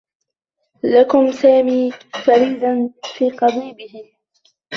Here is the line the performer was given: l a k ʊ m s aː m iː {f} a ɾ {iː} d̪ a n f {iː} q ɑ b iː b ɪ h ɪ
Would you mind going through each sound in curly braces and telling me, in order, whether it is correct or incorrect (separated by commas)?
correct, correct, correct